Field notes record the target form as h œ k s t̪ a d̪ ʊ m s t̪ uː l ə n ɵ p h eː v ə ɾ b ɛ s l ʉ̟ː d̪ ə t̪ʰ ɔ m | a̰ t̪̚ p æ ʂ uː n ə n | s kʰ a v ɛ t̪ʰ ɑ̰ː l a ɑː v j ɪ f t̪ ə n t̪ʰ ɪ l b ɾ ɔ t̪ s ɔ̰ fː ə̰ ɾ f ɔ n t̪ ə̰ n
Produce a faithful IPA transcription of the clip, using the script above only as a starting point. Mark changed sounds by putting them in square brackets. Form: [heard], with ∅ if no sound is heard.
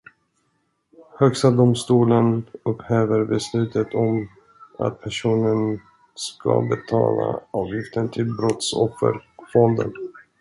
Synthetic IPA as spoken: h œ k s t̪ a d̪ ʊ m s t̪ uː l ə n ɵ p h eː v ə ɾ b ɛ s l ʉ̟ː [t̪] ə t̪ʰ ɔ m | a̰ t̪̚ [pʰ] æ ʂ uː n ə n | s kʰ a [b] ɛ t̪ʰ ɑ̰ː l a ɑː v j ɪ f t̪ ə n t̪ʰ ɪ l b ɾ ɔ t̪ s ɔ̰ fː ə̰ ɾ f ɔ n [d̪] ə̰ n